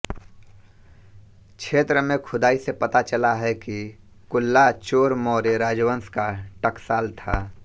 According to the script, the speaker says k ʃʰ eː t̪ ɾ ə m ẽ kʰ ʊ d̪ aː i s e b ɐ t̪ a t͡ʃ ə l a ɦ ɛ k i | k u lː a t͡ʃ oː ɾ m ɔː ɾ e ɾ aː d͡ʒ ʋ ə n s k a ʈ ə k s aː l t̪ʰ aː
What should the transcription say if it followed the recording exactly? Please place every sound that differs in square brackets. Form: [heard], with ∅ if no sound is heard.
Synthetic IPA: k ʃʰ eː t̪ ɾ ə m ẽ kʰ ʊ d̪ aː i s e [p] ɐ t̪ a t͡ʃ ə l a ɦ ɛ k i | k [ʊ] lː a t͡ʃ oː ɾ m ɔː ɾ e ɾ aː d͡ʒ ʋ ə n s k a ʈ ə k s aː l t̪ʰ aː